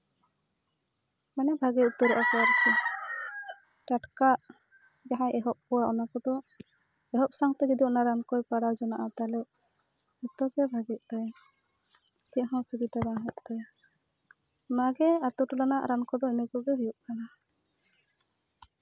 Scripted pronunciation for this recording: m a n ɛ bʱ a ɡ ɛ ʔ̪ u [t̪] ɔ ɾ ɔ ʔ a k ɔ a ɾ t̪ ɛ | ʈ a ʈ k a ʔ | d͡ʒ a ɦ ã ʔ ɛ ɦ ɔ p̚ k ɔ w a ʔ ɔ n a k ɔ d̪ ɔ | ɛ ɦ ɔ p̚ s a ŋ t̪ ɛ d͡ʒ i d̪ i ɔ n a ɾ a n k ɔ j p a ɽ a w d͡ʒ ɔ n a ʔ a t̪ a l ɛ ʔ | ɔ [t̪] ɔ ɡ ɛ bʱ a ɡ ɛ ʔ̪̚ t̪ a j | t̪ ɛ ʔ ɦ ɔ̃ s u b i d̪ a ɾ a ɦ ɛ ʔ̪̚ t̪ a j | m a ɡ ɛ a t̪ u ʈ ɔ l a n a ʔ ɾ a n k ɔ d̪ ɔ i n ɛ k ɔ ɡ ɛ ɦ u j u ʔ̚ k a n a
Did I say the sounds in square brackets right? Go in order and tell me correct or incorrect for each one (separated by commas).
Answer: correct, correct